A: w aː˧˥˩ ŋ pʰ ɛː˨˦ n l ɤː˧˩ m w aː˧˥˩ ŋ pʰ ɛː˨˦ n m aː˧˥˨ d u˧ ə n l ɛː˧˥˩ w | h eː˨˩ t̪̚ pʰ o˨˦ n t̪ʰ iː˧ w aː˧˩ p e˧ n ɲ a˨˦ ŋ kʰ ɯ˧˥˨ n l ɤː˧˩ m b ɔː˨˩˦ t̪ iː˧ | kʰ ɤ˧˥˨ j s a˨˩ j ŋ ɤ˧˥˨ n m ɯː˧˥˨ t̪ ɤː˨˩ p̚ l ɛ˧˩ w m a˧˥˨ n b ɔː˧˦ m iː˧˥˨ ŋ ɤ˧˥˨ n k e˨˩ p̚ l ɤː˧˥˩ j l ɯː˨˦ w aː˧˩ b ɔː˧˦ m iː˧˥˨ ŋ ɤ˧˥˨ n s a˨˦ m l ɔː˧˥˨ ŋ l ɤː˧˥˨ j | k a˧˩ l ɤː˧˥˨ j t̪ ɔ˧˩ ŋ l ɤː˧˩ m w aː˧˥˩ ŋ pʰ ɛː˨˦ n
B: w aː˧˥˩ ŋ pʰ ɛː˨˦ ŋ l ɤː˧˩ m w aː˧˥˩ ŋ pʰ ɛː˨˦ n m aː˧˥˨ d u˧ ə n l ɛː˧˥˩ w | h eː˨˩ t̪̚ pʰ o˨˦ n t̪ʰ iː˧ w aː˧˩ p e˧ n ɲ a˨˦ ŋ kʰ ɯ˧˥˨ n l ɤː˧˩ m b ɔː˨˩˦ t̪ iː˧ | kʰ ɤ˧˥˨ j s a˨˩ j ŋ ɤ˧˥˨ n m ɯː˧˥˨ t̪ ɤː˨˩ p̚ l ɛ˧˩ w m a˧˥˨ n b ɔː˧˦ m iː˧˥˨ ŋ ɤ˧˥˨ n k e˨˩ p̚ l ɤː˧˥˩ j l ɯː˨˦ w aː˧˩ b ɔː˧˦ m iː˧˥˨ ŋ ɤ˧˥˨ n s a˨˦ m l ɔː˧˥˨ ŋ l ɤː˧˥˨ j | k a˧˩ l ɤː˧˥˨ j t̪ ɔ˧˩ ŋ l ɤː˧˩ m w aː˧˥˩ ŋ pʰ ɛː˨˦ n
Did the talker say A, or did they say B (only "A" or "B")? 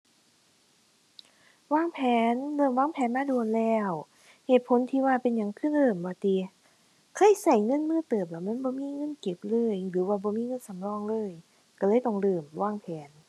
A